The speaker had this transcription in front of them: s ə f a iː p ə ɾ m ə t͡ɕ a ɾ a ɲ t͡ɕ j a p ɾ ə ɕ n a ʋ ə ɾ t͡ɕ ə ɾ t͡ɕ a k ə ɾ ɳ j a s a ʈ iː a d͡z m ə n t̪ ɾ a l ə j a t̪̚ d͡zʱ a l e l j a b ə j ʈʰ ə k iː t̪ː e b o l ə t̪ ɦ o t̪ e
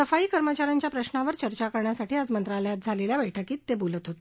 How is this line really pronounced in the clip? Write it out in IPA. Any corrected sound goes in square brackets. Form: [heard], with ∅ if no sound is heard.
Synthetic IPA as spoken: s ə f a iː [k] ə ɾ m ə t͡ɕ a ɾ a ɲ t͡ɕ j a p ɾ ə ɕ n a ʋ ə ɾ t͡ɕ ə ɾ t͡ɕ a k ə ɾ ɳ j a s a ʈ iː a d͡z m ə n t̪ ɾ a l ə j a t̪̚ d͡zʱ a l e l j a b ə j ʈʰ ə k iː t̪ː e b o l ə t̪ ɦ o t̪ e